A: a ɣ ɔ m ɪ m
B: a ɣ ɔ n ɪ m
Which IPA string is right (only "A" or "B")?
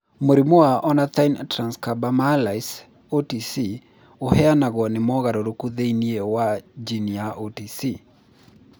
B